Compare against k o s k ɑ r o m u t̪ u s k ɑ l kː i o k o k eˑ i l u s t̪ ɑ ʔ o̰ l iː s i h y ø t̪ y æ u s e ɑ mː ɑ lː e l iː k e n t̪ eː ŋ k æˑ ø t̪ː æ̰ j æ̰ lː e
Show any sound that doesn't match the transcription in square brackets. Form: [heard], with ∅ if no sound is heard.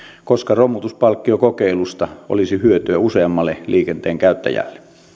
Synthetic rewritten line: k o s k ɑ r o m u t̪ u s [p] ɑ l kː i o k o k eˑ i l u s t̪ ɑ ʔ o̰ l [i] s i h y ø t̪ y æ u s e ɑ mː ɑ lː e l iː k e n t̪ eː ŋ k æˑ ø t̪ː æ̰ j æ̰ lː e

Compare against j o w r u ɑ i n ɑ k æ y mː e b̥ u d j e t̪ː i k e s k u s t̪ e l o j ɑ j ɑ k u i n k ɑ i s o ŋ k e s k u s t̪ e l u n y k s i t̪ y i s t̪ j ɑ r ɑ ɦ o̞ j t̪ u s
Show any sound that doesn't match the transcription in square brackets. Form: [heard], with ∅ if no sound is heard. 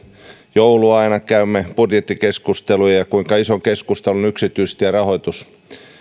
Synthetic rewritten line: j o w [l] u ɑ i n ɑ k æ y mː e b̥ u d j e t̪ː i k e s k u s t̪ e l [u] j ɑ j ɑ k u i [ŋ] k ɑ i s o ŋ k e s k u s t̪ e l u n y k s i t̪ y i s t̪ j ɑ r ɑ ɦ o̞ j t̪ u s

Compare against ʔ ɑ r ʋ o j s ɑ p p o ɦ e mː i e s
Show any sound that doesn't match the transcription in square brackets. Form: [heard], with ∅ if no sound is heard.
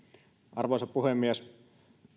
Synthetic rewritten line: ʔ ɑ r ʋ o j s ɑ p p [u] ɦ e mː i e s

